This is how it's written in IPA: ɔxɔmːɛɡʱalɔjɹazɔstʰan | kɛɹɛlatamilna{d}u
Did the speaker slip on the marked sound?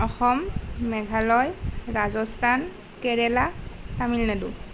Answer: no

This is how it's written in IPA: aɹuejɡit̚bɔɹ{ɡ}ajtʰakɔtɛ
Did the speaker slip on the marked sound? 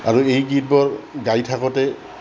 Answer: no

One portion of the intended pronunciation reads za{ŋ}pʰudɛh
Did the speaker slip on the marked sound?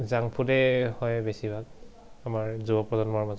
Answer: no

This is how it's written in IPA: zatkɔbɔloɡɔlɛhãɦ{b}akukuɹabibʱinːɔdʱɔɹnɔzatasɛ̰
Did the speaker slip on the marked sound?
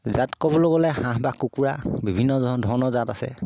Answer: no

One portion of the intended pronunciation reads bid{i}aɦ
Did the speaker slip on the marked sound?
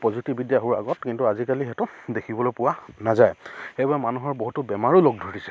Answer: yes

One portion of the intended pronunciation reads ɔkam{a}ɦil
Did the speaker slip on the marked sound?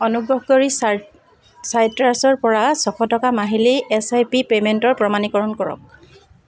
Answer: no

